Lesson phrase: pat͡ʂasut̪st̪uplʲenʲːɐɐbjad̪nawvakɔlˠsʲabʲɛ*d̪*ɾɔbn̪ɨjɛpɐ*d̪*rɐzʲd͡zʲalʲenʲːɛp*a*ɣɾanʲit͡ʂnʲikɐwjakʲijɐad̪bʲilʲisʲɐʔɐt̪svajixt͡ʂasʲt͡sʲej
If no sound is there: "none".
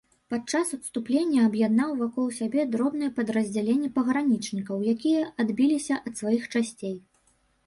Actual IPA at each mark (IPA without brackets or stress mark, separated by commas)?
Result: d̪, d̪, ɐ